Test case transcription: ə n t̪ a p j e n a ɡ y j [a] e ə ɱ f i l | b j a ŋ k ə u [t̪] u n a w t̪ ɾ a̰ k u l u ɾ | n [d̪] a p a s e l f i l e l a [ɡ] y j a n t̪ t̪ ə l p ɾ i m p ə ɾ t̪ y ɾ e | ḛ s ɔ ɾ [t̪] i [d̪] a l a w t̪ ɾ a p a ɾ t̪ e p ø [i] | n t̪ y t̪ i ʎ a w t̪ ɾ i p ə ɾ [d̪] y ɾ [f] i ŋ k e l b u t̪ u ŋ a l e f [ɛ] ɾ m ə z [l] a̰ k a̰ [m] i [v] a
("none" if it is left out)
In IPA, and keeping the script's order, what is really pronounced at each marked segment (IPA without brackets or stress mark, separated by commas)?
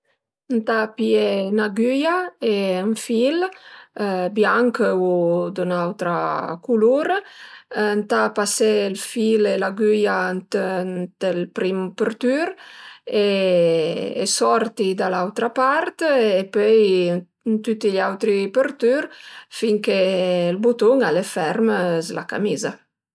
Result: a, d̪, t̪, ɡ, t̪, d̪, j, t̪, f, ɛ, l, m, z